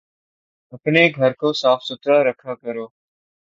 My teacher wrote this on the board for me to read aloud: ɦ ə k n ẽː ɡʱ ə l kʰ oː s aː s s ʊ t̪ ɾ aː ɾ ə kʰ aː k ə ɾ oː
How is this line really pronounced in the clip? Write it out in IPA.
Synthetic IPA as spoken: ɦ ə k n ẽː ɡʱ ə ɾ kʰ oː s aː f s ʊ t̪ ɾ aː ɾ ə kʰ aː k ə ɾ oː